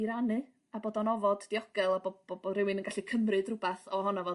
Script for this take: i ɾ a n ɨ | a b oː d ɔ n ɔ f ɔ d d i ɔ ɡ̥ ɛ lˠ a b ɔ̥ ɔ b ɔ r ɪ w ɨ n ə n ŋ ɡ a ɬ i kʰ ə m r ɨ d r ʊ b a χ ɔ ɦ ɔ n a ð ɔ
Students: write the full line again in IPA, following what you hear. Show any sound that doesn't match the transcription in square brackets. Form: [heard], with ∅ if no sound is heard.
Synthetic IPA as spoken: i ɾ a n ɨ | a b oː d ɔ n ɔ [v] ɔ d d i ɔ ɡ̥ ɛ lˠ a b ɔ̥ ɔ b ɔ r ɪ w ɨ n ə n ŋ ɡ a ɬ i kʰ ə m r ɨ d r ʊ b a [θ] ɔ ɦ ɔ n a [v] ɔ